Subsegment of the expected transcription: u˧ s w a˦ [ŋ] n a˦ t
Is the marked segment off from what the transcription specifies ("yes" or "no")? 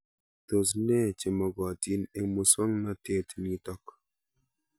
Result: no